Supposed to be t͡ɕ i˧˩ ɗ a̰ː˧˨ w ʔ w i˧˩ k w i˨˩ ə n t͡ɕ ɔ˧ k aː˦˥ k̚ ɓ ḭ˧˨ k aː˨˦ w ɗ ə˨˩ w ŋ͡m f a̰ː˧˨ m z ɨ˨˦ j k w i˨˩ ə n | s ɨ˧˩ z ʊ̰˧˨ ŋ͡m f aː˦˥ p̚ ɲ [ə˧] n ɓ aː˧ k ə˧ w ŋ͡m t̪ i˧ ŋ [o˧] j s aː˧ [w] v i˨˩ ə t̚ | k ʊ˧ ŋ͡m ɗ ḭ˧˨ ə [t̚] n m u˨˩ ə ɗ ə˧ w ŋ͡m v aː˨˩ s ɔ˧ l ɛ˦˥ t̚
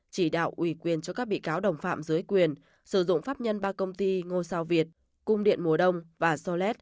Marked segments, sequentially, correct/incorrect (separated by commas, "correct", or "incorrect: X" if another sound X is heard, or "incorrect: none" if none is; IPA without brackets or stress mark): correct, correct, correct, incorrect: none